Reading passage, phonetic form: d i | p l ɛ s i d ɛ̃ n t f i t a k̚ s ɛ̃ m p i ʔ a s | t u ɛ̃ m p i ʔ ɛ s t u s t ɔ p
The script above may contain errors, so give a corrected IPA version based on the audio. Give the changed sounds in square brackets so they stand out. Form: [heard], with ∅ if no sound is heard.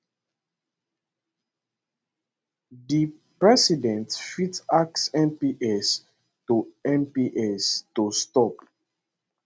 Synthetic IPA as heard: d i | p [ɹ] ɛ s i d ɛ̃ n t f i t a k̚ s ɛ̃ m p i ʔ [ɛ] s | t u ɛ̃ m p i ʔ ɛ s t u s t ɔ p